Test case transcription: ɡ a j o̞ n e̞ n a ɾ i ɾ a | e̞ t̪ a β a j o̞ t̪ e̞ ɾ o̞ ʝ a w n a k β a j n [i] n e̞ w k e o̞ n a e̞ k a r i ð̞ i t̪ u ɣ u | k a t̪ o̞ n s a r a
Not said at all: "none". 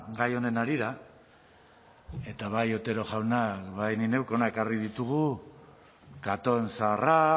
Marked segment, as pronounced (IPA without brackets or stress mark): i